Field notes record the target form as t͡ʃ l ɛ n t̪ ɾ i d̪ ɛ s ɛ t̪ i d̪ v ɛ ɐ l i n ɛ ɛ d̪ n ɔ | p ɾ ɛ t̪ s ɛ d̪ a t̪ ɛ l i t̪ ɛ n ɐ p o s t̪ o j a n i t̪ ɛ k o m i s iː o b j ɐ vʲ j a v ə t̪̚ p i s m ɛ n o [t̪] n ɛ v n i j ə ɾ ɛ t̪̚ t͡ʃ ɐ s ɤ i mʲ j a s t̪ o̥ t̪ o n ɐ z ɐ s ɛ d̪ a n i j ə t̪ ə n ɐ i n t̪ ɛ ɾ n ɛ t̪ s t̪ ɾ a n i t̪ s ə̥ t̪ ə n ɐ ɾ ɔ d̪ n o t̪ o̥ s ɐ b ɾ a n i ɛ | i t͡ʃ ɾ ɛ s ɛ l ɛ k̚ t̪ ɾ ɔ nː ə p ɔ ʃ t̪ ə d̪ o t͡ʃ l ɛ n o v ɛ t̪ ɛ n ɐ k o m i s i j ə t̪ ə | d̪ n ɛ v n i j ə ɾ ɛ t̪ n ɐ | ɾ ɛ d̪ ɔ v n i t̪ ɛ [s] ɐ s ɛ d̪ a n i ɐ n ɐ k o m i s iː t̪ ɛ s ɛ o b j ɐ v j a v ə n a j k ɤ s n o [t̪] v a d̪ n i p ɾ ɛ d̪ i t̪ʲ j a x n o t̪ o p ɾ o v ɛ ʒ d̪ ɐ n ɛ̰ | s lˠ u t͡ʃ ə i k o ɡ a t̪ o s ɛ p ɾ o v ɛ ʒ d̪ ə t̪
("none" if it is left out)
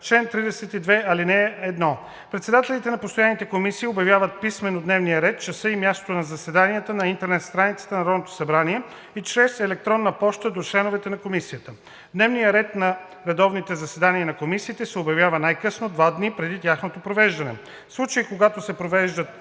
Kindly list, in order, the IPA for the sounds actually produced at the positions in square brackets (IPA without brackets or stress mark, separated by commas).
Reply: d̪, z, d̪